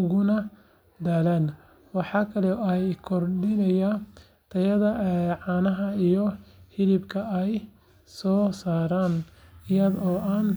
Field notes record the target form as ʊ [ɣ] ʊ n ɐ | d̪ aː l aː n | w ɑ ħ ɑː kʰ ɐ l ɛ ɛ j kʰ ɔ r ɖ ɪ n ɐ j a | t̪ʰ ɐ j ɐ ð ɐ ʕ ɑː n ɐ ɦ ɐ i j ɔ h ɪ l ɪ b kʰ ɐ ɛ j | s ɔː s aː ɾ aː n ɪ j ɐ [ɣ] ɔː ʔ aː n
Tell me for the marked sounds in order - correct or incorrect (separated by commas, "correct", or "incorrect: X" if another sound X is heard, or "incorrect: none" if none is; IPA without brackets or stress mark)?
correct, incorrect: ð